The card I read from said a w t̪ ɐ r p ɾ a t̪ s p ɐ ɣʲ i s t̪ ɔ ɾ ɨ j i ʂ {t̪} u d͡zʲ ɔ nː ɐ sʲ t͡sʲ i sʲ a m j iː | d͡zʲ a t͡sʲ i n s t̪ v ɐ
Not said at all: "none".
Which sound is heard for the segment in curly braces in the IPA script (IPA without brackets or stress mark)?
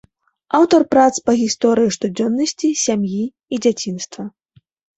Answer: t̪